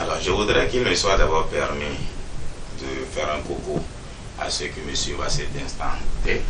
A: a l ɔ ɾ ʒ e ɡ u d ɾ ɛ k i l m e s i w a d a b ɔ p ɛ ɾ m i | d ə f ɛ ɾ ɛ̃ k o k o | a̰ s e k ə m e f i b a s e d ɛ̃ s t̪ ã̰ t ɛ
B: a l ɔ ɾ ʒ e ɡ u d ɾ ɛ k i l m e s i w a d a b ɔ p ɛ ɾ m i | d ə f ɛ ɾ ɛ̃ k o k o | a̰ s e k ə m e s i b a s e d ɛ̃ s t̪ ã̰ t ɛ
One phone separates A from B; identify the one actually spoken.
B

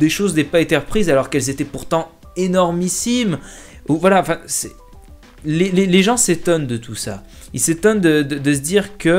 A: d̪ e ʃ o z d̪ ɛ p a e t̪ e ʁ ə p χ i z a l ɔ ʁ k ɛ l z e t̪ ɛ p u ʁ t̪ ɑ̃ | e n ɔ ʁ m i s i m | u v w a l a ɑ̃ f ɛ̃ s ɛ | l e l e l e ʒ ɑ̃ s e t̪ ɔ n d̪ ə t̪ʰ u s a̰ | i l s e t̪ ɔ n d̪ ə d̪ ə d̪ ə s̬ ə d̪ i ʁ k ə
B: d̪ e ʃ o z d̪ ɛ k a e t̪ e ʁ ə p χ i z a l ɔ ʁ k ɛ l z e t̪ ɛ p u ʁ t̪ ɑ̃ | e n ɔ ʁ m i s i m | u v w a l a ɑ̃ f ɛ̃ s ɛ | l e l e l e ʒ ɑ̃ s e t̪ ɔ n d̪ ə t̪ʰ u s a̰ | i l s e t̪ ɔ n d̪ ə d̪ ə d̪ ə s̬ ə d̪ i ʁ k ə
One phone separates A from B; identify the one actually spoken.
A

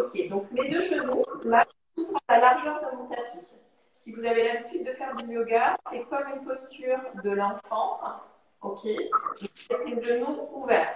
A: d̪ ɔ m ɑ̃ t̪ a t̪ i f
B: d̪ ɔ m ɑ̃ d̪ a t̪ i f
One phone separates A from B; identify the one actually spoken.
A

